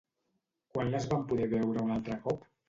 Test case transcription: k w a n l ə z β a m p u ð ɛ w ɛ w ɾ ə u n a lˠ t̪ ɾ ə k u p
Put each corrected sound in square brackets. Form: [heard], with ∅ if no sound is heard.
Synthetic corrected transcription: k w a n l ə z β a m p u ð ɛ [β] ɛ w ɾ ə u n a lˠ t̪ ɾ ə k [ɔ] p